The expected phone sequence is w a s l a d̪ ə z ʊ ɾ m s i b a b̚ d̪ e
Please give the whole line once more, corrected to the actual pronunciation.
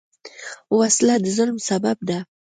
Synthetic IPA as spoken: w a s l a d̪ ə z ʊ l m s a b a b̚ d̪ a